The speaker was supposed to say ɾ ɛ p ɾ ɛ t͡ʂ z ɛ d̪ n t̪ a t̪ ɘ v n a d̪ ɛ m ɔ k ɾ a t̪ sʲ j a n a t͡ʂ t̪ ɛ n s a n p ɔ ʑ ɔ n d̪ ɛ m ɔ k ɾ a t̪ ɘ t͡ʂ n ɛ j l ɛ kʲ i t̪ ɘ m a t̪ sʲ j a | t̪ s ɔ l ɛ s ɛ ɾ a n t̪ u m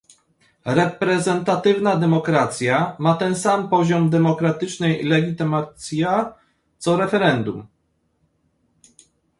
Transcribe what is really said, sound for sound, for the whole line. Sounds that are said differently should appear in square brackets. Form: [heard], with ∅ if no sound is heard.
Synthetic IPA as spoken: ɾ ɛ p ɾ ɛ [∅] z ɛ [∅] n t̪ a t̪ ɘ v n a d̪ ɛ m ɔ k ɾ a t̪ sʲ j a [m] a [∅] t̪ ɛ n s a [m] p ɔ ʑ ɔ [m] d̪ ɛ m ɔ k ɾ a t̪ ɘ t͡ʂ n ɛ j l ɛ [ɡʲ] i t̪ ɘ m a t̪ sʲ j a | t̪ s ɔ [ɾ] ɛ [f] ɛ ɾ [ɛ] n [d̪] u m